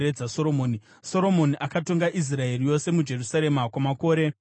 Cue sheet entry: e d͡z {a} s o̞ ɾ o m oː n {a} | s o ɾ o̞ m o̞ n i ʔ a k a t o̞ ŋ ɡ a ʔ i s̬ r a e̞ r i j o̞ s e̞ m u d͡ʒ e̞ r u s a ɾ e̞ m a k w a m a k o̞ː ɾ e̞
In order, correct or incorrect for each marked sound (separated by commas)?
correct, incorrect